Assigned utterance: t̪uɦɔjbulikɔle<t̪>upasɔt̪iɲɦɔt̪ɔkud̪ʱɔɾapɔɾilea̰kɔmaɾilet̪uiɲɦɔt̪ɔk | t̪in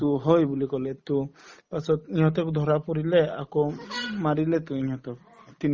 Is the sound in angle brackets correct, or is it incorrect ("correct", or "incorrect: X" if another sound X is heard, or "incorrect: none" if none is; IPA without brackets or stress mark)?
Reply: correct